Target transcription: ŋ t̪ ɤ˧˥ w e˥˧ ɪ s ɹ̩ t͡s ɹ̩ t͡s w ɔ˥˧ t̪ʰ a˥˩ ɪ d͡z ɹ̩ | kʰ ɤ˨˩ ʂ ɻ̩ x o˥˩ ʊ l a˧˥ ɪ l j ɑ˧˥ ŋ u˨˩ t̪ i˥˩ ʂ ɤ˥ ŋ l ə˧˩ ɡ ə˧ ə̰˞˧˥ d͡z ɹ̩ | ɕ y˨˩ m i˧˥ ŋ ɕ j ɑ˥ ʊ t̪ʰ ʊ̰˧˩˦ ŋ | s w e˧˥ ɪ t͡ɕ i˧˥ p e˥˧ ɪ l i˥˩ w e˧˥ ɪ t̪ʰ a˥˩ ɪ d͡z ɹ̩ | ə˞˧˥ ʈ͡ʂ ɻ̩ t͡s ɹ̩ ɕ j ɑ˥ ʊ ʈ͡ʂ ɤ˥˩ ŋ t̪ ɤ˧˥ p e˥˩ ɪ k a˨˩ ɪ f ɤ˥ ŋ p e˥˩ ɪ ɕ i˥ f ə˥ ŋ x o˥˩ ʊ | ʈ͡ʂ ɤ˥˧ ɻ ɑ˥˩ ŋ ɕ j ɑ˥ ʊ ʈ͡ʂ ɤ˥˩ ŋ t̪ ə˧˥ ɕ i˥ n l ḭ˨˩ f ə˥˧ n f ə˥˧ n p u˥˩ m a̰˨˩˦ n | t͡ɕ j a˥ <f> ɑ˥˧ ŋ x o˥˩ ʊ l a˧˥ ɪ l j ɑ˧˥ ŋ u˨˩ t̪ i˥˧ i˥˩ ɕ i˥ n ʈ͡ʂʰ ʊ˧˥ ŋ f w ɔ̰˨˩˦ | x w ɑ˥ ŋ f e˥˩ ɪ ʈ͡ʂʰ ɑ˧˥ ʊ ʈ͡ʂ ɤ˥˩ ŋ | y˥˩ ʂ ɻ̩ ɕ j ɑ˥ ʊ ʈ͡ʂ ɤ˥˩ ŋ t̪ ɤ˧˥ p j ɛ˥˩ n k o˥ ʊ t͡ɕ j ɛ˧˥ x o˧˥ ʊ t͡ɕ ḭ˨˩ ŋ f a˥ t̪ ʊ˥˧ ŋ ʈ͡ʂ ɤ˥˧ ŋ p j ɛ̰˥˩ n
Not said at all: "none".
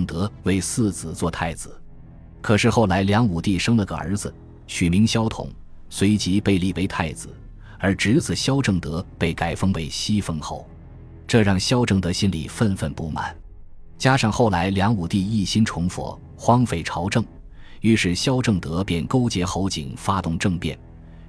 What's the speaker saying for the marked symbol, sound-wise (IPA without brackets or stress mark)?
ʂ